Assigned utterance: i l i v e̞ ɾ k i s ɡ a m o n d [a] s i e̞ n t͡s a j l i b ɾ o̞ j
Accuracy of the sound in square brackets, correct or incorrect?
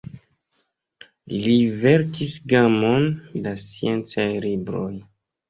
correct